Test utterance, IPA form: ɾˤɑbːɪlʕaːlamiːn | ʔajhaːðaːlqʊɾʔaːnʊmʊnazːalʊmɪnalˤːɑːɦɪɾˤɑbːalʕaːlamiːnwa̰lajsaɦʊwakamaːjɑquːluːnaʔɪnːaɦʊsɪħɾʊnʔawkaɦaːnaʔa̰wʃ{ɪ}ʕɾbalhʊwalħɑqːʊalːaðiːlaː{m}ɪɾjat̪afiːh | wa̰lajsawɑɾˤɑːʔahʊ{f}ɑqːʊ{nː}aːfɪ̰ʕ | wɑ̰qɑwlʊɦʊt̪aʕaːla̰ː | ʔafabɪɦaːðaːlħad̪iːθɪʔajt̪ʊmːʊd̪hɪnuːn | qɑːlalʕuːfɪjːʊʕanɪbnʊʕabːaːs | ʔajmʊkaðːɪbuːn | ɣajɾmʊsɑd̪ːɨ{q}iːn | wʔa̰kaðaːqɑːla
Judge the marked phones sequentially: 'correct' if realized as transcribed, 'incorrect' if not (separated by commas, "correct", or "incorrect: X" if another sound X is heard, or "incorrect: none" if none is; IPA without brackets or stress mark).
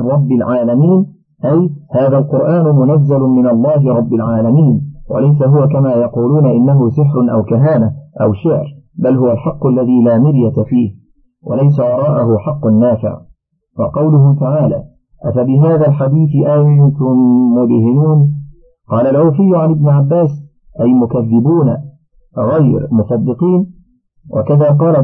correct, correct, incorrect: ħ, correct, correct